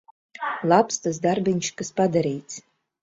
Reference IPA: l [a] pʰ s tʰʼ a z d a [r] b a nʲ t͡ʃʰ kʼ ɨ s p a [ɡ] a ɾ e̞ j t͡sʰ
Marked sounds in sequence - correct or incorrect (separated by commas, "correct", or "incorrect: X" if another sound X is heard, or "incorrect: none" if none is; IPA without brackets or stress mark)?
correct, correct, incorrect: d